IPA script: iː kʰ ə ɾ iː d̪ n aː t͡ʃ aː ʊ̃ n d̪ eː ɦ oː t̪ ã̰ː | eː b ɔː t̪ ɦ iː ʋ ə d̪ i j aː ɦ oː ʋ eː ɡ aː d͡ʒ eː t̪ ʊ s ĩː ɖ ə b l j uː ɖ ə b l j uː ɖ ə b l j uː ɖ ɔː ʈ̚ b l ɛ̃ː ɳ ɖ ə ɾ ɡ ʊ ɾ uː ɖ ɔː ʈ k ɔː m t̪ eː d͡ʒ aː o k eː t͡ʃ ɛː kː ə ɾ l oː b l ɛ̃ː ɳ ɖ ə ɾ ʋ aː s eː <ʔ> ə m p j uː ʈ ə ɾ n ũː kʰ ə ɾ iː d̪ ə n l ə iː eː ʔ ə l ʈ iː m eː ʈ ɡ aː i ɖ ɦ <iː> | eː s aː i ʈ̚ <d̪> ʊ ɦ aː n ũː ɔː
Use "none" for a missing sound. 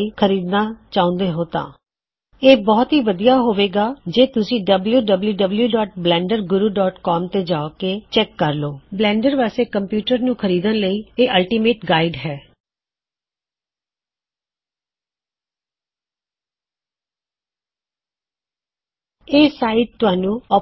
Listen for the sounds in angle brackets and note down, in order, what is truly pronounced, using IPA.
k, ɛː, t̪

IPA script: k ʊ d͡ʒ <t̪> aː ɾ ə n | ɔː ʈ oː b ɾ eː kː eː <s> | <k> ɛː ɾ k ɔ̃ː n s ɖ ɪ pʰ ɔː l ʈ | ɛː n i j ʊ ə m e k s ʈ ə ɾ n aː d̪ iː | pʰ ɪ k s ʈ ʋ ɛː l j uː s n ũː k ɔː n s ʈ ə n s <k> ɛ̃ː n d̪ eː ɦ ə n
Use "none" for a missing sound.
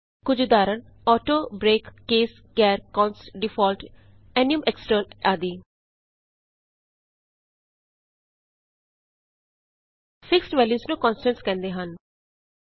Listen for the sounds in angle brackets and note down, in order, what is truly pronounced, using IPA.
d̪, s, k, k

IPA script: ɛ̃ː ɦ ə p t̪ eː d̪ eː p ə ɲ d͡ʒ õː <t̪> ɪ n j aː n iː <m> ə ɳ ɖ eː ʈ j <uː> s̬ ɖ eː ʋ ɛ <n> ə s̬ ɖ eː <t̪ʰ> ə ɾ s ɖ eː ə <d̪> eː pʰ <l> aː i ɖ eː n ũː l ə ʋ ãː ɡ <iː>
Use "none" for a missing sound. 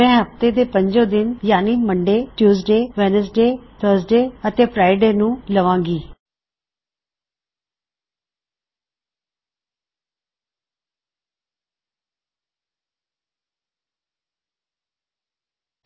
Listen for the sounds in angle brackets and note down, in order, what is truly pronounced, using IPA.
d̪, m, uː, n, t̪ʰ, t̪, ɾ, iː

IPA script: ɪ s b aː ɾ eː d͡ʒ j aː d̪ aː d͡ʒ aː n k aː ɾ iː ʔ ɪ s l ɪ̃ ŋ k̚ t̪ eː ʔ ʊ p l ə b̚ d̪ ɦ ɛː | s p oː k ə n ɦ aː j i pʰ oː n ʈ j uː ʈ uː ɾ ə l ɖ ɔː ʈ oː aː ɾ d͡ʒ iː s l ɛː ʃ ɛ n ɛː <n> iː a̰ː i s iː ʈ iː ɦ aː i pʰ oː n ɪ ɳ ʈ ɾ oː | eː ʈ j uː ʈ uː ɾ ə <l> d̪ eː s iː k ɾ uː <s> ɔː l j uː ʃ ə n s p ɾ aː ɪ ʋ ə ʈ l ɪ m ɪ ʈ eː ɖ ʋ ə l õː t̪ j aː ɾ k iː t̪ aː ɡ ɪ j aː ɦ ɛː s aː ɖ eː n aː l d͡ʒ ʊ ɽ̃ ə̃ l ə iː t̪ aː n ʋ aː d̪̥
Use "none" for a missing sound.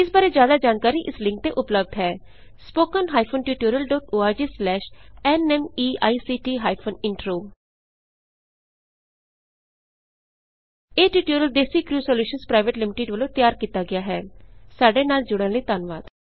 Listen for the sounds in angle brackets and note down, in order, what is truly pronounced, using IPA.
m, l, s

